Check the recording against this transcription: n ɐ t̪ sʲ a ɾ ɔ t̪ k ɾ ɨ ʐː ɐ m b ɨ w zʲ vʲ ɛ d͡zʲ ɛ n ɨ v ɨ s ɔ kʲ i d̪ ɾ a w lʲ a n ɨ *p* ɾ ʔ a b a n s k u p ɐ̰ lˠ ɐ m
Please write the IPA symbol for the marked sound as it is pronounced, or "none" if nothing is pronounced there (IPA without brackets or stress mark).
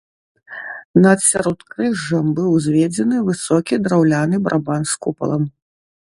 b